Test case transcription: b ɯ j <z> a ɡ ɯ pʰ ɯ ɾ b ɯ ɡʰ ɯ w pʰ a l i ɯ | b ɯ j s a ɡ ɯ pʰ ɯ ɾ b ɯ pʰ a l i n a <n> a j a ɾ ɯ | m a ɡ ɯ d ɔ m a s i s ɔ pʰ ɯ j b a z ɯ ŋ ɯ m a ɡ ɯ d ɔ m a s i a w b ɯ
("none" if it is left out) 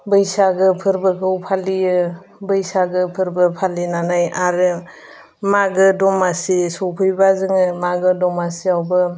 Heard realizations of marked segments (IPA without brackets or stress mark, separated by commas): s, n